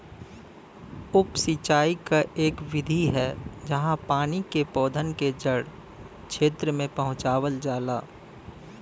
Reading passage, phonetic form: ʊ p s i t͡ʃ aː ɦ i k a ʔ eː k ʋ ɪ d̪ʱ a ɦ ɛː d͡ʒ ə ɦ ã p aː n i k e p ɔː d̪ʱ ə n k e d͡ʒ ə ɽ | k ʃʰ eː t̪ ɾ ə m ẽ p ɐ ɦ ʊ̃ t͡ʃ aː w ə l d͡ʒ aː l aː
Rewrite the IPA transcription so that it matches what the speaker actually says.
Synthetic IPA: ʊ p s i t͡ʃ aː i k a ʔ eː k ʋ ɪ d̪ʱ i ɦ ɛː d͡ʒ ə ɦ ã p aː n i k e p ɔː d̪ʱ ə n k e d͡ʒ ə ɽ | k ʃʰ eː t̪ ɾ ə m ẽ p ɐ ɦ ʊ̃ t͡ʃ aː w ə l d͡ʒ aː l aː